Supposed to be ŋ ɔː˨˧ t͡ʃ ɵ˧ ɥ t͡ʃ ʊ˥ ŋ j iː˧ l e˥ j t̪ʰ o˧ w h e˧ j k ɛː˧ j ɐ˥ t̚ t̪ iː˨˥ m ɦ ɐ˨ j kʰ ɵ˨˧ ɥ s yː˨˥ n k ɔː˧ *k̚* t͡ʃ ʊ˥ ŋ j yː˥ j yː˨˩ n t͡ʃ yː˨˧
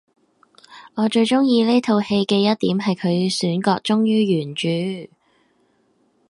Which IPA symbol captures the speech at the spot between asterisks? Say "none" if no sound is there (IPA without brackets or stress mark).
k̚